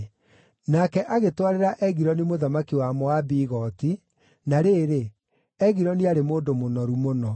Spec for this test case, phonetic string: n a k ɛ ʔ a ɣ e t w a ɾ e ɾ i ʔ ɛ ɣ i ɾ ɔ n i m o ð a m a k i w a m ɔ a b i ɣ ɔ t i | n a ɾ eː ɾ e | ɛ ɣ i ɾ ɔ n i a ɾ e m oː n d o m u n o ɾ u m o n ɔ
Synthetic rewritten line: n a k ɛ ʔ a ɣ e t w a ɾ e ɾ a ʔ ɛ ɣ i ɾ ɔ n i m o ð a m a k i w a m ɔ a b i ɣ ɔ t i | n a ɾ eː ɾ e | ɛ ɣ i ɾ ɔ n i a ɾ e m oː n d o m o n ɔ ɾ u m o n ɔ